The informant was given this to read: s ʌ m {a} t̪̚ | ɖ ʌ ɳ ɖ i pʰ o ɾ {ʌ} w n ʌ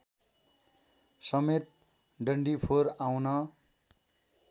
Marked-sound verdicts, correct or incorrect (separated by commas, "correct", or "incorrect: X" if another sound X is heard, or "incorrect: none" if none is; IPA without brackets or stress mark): incorrect: e, incorrect: a